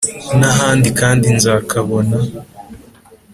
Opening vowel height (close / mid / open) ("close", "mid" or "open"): open